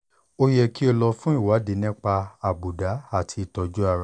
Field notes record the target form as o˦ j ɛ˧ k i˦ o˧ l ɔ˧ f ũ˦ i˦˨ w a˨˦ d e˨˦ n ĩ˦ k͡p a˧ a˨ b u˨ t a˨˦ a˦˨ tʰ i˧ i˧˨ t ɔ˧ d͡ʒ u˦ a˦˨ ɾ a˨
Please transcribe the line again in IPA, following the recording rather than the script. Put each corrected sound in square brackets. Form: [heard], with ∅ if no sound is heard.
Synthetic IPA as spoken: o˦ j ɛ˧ k i˦ o˧ l ɔ˧ f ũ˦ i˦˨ w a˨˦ d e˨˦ n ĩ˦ k͡p a˧ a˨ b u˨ [d] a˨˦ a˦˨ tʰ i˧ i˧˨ t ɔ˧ d͡ʒ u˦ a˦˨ ɾ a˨